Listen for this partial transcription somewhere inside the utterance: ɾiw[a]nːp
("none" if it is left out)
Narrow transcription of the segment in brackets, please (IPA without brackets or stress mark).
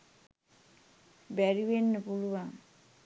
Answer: e